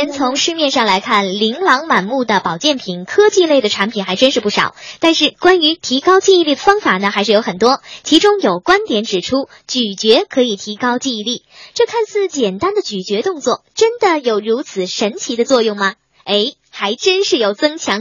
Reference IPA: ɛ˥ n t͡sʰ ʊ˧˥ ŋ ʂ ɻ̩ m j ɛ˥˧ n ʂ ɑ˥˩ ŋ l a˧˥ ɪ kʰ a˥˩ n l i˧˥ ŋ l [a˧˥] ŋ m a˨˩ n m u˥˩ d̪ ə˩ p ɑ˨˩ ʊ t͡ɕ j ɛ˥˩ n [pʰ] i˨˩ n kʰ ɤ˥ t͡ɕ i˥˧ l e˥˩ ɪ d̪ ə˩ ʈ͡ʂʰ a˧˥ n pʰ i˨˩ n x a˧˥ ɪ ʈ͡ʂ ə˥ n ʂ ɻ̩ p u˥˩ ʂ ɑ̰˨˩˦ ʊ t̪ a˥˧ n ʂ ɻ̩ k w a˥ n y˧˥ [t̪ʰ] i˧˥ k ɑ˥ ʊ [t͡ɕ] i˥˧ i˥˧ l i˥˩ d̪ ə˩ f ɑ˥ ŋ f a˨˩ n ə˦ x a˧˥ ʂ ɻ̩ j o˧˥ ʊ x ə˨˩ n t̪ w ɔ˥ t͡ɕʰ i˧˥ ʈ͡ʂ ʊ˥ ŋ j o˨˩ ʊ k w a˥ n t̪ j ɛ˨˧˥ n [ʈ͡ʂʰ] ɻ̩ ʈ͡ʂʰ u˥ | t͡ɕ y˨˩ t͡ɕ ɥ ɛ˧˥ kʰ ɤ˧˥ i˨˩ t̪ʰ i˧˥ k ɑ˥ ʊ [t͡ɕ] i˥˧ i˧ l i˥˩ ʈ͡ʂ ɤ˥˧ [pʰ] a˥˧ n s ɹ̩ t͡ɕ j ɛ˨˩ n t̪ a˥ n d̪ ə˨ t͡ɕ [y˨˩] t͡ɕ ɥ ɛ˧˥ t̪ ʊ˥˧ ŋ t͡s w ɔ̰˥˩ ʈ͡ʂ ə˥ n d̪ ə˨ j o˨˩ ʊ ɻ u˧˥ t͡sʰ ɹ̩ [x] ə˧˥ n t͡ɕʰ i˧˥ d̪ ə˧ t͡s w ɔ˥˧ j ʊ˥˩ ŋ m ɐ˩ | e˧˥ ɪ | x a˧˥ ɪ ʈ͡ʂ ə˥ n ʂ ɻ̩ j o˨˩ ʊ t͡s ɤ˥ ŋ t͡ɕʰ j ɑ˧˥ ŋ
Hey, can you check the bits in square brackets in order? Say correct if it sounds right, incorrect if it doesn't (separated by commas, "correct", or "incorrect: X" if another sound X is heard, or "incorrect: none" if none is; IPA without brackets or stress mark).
incorrect: ɑ˧˥, correct, correct, correct, incorrect: ʈ͡ʂ, correct, incorrect: kʰ, correct, incorrect: ʂ